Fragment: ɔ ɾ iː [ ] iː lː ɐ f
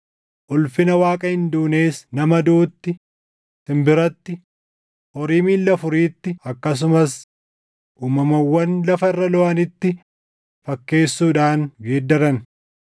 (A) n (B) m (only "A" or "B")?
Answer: B